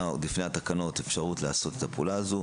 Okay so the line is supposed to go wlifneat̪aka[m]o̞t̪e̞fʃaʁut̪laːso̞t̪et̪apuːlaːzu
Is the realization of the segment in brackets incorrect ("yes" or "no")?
yes